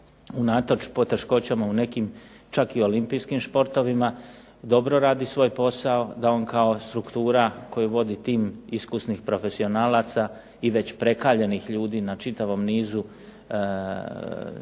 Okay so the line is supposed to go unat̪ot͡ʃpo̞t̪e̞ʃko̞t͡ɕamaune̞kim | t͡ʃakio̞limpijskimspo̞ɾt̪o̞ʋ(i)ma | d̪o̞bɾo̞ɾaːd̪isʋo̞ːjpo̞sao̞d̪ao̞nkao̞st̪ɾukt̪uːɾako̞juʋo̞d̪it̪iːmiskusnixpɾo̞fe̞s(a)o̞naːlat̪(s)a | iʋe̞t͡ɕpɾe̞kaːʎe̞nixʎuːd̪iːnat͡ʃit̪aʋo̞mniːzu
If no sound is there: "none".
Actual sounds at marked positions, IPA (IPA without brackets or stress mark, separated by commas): i, i, s